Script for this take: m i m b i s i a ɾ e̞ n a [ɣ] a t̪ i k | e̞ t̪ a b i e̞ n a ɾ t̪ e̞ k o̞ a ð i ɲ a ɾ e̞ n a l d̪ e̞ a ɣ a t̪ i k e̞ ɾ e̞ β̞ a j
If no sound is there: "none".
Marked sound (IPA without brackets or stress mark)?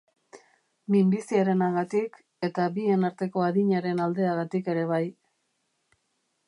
ɣ